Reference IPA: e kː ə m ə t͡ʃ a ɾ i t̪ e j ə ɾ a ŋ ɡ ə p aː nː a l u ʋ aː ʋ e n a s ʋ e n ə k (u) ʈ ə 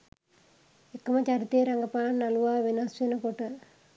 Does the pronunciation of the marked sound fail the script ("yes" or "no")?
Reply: yes